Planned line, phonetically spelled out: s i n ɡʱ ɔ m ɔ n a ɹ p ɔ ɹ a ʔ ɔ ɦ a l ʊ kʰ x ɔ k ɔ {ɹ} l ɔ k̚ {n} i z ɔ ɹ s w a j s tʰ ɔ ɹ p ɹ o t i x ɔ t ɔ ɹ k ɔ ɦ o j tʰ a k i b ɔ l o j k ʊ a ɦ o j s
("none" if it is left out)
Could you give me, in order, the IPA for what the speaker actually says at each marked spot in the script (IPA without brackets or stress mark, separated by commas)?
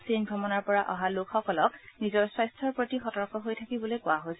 none, n